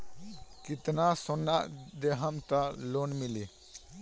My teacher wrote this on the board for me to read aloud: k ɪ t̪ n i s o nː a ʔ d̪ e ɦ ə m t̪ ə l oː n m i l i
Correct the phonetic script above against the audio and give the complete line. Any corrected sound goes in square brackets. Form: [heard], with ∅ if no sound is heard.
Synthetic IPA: k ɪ t̪ n [a] s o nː a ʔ d̪ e ɦ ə m t̪ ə l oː n m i l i